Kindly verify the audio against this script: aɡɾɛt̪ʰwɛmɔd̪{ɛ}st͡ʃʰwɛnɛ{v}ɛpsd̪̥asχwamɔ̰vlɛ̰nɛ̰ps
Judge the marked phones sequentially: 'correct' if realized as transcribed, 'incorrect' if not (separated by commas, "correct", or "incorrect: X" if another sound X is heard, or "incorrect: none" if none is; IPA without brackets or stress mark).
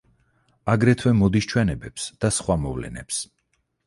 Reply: incorrect: i, incorrect: b